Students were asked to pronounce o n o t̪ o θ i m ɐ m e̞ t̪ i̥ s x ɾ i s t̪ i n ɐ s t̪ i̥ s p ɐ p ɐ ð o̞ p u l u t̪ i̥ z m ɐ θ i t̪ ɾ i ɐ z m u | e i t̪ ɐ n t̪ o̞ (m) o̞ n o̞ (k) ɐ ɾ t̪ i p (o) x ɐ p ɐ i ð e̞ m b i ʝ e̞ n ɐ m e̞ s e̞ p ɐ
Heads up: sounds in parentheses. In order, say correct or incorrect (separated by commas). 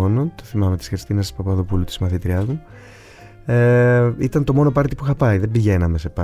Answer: correct, incorrect, incorrect